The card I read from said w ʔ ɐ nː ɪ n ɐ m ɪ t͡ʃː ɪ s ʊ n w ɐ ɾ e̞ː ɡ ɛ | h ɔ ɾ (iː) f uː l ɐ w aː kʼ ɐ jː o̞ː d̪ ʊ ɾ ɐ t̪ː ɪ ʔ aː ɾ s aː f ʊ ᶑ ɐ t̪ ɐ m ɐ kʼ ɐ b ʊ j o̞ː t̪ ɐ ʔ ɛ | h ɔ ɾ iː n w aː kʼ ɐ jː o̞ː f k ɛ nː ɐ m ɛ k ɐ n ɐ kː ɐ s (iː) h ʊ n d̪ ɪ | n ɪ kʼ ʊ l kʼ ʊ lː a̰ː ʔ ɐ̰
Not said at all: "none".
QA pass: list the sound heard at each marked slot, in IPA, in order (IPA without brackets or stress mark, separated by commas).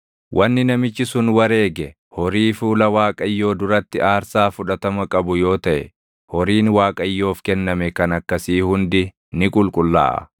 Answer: iː, iː